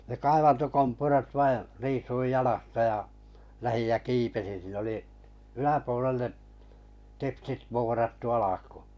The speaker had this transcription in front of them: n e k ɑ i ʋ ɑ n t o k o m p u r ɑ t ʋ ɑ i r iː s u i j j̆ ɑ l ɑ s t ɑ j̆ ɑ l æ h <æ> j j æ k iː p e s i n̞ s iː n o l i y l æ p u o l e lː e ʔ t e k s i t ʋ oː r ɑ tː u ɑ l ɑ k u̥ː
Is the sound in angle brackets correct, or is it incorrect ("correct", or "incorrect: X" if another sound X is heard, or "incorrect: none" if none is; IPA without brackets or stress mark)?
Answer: incorrect: i